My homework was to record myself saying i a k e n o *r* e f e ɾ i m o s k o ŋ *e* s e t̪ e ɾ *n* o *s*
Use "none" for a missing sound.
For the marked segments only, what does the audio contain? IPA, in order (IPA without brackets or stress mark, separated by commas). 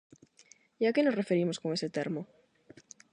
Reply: r, e, m, none